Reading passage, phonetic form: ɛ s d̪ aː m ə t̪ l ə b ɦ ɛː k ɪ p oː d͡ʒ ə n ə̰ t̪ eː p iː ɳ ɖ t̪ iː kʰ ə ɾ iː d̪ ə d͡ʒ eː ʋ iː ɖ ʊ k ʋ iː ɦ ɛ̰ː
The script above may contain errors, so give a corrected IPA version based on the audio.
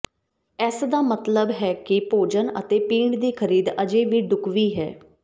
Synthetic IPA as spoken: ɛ s d̪ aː m ə t̪ l ə b ɦ ɛː k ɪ p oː d͡ʒ ə n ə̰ t̪ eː p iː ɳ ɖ d̪ iː kʰ ə ɾ iː d̪ ə d͡ʒ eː ʋ iː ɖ ʊ k ʋ iː ɦ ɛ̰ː